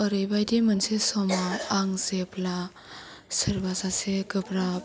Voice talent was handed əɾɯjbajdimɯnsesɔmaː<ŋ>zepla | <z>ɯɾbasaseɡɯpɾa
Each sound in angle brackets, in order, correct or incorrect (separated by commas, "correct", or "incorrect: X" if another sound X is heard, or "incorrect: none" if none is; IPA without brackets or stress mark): correct, incorrect: s